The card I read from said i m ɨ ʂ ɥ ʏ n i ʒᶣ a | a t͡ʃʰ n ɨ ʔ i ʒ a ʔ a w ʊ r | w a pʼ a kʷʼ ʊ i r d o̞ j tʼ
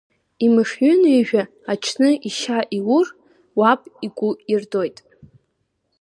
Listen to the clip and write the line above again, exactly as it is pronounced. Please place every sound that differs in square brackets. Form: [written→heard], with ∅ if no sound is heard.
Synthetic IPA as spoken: i m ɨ ʂ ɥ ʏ n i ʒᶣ a | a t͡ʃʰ n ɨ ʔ i [ʒ→ʃ] a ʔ [a→i] w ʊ r | w a pʼ [a→i] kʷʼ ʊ i r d o̞ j tʼ